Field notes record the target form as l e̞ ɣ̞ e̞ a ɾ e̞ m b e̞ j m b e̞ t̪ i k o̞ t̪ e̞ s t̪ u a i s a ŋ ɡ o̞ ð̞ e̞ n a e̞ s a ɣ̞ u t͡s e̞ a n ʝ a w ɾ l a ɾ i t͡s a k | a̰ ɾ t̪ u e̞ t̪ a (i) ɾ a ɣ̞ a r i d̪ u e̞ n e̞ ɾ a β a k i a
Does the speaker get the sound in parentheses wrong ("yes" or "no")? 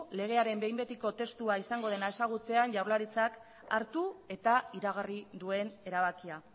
no